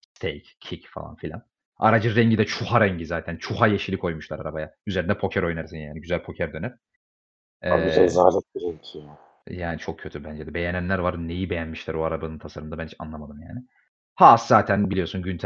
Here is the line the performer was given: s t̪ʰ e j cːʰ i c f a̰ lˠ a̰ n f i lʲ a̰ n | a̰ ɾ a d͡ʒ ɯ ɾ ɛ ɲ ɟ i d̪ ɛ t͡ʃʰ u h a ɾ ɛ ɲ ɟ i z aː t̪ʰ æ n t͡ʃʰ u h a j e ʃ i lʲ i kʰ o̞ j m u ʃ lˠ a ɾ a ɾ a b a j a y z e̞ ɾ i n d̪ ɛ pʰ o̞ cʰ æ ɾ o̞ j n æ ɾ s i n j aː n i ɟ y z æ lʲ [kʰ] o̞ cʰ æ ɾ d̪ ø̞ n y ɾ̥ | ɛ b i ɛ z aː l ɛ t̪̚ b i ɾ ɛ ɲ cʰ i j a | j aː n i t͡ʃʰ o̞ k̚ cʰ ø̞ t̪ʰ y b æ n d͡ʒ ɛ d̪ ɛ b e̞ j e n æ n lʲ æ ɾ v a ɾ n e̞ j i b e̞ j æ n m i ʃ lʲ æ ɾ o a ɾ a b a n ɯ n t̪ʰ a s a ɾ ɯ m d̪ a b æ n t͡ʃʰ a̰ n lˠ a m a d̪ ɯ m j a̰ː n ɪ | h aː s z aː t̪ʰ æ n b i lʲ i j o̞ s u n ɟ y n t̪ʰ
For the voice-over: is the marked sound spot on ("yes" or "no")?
no